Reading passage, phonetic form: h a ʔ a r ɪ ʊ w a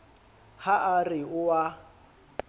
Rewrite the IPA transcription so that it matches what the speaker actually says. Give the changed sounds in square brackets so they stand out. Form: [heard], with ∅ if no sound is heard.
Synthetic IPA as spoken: h a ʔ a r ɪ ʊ w a